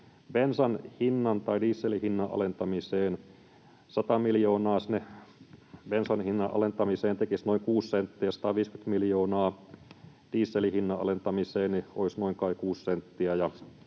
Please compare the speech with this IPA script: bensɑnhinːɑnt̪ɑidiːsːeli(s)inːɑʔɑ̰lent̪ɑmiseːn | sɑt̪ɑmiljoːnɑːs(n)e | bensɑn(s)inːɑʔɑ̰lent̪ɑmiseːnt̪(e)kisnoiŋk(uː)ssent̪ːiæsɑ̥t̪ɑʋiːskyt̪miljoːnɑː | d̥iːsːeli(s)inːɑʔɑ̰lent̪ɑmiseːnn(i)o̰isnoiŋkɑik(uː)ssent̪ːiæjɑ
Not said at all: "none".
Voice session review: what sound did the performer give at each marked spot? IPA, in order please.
h, n, h, e, uː, h, i, uː

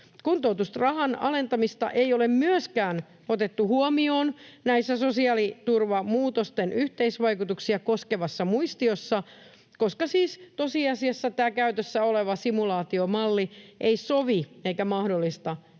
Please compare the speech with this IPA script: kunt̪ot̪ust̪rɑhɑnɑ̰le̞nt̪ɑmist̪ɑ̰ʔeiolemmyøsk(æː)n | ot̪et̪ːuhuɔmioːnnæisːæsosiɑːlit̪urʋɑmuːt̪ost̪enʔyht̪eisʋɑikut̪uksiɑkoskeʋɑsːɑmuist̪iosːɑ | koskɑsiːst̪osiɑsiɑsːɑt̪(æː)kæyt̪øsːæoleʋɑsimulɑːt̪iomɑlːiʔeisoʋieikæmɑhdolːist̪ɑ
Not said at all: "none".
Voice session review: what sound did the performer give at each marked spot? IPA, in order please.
æː, æː

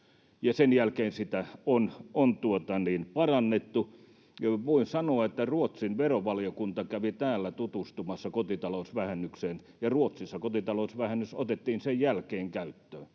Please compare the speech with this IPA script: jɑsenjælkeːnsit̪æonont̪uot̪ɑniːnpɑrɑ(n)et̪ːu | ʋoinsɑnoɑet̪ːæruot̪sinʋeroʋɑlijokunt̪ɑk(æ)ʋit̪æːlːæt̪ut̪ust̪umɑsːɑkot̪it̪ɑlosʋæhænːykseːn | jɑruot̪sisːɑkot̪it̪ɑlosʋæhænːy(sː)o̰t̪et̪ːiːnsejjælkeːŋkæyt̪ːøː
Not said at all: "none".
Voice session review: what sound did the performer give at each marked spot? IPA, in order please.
nː, æ, s

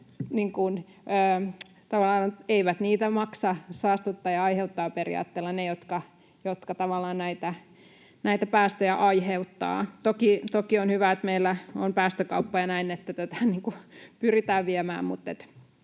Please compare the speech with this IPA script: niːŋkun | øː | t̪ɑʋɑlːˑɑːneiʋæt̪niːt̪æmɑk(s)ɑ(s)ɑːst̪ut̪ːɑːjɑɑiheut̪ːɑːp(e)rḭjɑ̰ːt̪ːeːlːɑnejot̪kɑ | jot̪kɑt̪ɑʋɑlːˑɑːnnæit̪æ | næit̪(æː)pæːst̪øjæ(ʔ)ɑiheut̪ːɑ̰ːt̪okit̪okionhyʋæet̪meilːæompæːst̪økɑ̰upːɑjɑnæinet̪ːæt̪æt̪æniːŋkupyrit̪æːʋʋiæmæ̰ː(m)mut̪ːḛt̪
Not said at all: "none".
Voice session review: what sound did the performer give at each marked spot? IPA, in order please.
s, s, e, æ, ʔ, m

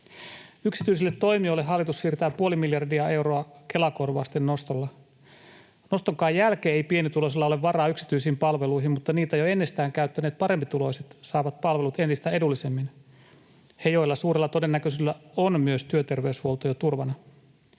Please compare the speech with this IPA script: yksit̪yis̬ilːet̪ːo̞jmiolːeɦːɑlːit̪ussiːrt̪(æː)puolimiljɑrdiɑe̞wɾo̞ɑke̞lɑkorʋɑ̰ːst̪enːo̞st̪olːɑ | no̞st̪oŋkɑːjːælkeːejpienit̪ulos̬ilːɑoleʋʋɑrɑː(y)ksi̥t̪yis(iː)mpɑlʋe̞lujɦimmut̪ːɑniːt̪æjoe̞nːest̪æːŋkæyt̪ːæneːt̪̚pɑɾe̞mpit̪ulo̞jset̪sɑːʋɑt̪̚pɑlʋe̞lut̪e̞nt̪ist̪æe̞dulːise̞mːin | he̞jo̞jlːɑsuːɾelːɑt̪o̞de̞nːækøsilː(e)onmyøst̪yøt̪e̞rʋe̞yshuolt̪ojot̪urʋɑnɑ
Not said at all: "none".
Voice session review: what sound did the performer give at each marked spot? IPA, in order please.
æː, y, iː, æ

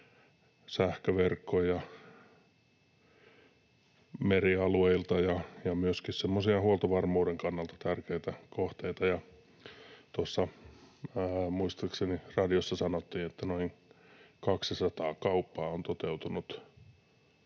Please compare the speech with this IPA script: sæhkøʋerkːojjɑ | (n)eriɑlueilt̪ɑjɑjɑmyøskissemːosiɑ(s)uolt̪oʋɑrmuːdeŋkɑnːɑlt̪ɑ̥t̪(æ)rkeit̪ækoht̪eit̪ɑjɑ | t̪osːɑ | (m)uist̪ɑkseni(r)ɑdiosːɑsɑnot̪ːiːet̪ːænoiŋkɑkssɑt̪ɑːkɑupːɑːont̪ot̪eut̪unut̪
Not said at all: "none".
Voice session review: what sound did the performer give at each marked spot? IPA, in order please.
m, h, æ, m, r

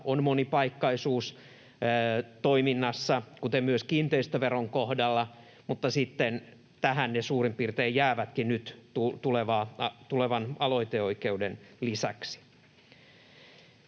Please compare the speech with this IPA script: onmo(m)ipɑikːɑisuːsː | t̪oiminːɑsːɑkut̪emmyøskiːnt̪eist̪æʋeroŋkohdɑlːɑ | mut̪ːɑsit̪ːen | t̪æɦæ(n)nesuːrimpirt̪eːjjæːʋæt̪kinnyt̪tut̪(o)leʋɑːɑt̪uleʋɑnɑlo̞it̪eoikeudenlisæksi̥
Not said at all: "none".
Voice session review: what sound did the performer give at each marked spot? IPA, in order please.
n, n, u

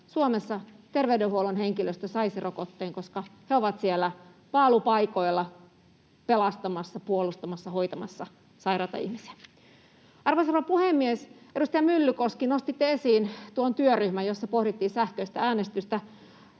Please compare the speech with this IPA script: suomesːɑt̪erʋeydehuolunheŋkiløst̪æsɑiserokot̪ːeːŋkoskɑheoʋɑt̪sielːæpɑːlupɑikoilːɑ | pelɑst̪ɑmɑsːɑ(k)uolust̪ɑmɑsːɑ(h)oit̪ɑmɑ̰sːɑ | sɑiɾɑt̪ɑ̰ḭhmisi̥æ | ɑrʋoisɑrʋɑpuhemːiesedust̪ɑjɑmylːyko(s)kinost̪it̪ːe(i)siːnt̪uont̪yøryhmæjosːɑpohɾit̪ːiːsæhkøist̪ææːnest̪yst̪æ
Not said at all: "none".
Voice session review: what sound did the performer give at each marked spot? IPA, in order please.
p, h, s, e

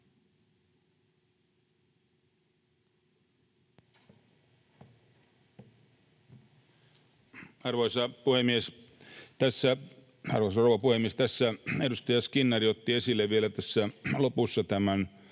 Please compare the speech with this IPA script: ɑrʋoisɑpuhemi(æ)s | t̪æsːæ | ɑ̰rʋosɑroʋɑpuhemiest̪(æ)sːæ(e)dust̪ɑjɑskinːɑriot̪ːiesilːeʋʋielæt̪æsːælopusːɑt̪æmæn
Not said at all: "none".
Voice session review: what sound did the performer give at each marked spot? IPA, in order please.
e, æ, e

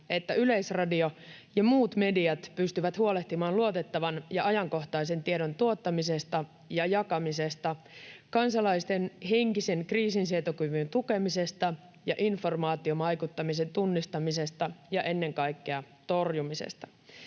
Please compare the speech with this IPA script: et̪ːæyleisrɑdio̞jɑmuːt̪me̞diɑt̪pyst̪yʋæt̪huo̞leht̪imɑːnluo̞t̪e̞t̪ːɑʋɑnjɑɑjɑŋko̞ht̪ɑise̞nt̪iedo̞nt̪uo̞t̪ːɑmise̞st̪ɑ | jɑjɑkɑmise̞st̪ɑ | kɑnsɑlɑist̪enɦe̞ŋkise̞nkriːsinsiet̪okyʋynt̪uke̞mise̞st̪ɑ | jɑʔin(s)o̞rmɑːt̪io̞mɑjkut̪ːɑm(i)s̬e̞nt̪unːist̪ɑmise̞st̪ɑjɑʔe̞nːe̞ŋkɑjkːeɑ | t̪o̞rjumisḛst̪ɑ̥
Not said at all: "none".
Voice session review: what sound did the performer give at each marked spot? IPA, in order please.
f, i

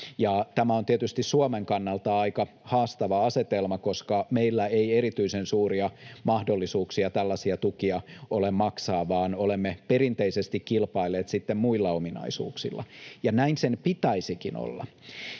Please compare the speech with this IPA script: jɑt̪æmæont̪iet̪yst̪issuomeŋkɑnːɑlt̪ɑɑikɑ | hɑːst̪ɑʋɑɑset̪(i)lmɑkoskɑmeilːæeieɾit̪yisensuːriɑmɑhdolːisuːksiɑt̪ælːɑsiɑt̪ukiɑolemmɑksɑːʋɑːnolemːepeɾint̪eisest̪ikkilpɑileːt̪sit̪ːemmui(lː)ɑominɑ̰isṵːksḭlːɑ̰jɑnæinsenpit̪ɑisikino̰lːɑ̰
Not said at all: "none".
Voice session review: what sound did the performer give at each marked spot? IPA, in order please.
e, lː

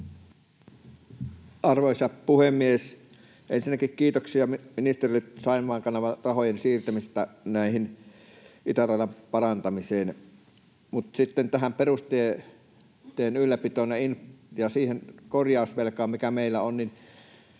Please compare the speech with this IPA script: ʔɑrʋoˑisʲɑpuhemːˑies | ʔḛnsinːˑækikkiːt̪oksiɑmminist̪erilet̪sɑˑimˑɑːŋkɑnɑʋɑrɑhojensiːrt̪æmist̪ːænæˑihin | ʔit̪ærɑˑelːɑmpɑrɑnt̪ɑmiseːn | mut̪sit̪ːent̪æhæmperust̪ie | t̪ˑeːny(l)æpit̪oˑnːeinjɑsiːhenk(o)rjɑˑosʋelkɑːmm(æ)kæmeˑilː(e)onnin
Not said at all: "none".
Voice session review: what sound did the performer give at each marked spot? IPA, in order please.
lː, o, i, æ

